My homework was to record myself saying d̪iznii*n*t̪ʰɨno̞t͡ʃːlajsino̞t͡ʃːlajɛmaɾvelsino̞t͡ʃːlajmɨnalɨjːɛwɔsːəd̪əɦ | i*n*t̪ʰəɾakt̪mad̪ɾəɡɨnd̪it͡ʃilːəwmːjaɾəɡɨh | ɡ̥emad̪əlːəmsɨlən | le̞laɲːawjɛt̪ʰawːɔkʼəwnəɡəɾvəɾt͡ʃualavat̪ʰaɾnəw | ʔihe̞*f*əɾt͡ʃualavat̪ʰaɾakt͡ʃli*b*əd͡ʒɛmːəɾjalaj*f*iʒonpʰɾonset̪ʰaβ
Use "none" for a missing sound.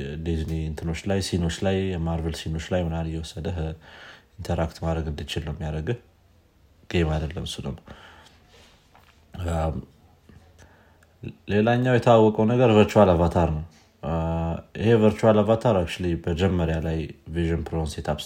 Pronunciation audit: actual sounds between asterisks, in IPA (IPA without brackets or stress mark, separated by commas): n, n, v, b, v